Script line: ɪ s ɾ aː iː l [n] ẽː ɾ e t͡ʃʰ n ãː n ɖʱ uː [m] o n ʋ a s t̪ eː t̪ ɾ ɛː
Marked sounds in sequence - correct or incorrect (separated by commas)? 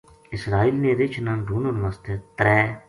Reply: correct, incorrect